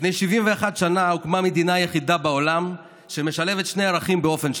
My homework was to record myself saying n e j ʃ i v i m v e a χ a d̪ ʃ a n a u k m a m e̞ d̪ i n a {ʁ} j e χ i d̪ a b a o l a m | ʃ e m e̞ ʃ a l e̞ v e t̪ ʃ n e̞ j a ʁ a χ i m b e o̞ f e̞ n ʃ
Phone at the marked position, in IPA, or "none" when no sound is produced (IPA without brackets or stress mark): none